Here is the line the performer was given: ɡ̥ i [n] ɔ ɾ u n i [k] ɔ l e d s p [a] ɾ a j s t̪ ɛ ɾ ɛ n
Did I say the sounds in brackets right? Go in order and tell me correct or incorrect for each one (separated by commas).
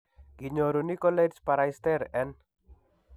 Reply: incorrect, correct, correct